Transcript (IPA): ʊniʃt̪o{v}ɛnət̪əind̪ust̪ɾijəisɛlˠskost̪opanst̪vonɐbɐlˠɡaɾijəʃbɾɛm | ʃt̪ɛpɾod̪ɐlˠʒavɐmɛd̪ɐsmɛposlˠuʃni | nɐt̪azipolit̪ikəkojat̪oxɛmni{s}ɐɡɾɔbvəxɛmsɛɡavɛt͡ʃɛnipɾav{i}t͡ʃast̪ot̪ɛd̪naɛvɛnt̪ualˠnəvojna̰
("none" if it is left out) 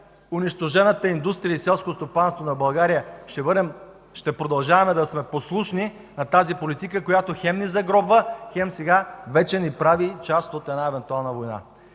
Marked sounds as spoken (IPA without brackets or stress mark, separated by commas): ʒ, z, i